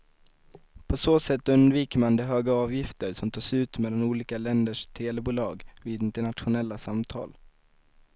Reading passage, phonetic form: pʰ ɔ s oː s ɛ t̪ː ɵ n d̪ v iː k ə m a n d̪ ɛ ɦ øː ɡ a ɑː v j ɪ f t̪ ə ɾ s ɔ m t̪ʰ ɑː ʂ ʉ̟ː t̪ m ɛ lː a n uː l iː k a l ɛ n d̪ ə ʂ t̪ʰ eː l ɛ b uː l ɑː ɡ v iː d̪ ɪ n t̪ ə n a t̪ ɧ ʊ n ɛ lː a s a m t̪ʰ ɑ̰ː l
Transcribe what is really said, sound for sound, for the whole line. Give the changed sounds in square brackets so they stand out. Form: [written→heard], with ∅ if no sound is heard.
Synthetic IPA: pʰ ɔ s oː s ɛ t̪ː ɵ n d̪ v iː k ə m a n d̪ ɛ ɦ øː ɡ a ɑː v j ɪ f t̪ ə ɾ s ɔ m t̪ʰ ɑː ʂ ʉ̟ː t̪ m ɛ lː a n uː l iː k a l ɛ n d̪ ə ʂ t̪ʰ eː l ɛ b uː l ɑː ɡ v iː d̪ ɪ n t̪ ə [n→ɳ] a t̪ ɧ ʊ n ɛ lː a s a m t̪ʰ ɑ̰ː l